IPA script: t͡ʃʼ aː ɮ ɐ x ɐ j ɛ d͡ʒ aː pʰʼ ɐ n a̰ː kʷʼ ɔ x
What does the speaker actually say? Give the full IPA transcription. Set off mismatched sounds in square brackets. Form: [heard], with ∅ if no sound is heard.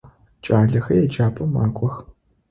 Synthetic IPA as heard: t͡ʃʼ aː ɮ ɐ x ɐ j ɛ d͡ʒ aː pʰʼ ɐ [m] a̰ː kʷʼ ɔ x

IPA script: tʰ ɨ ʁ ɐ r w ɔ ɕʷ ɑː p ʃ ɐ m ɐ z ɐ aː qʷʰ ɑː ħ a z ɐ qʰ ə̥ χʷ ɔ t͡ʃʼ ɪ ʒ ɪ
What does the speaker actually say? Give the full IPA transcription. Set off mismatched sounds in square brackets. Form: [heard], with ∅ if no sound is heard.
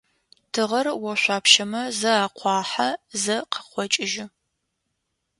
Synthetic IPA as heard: tʰ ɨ ʁ ɐ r w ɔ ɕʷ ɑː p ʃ ɐ m ɐ z ɐ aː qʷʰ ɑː ħ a z ɐ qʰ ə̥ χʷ ɔ t͡ʃʼ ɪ ʒ ɪ

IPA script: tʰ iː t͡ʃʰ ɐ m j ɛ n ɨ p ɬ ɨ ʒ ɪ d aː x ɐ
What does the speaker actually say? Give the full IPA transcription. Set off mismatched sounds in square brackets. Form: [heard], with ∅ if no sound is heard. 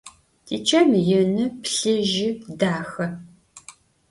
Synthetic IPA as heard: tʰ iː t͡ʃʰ ɐ m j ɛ n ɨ p ɬ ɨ ʒ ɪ d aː x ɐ

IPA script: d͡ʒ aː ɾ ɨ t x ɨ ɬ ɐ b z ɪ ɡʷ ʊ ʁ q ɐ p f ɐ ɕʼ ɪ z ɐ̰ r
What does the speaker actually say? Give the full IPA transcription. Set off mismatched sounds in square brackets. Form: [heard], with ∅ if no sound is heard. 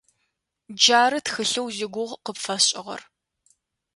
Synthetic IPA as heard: d͡ʒ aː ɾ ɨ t x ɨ ɬ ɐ [w] z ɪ ɡʷ ʊ ʁ q [ə] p f ɐ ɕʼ ɪ [ʁ] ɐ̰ r

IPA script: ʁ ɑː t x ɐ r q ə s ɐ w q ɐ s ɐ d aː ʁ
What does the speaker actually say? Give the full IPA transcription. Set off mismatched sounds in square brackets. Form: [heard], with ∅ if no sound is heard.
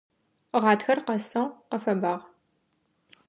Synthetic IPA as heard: ʁ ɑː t x ɐ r q [ɐ] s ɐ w q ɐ [f] ɐ [b] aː ʁ

